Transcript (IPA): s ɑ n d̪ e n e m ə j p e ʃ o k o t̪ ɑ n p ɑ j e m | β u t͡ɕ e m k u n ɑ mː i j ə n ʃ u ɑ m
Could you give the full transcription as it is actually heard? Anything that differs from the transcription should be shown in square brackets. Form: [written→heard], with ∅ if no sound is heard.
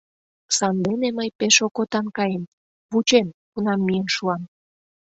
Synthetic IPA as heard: s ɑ n d̪ e n e m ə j p e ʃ o k o t̪ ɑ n [p→k] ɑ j e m | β u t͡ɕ e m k u n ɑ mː i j ə n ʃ u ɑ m